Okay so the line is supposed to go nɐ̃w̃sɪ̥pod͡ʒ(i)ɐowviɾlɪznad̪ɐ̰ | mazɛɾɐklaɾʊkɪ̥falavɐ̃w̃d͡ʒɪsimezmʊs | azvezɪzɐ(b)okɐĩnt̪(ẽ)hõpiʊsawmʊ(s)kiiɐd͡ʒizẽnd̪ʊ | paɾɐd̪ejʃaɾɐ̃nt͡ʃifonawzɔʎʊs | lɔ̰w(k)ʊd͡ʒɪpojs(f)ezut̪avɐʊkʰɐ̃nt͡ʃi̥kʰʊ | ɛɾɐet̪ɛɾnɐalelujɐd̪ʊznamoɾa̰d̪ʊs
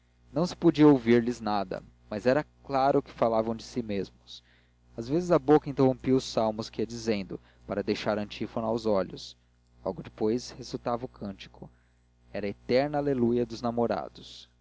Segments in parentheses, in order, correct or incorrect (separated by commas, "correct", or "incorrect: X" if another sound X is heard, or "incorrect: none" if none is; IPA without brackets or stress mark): correct, correct, incorrect: e, correct, incorrect: ɡ, incorrect: h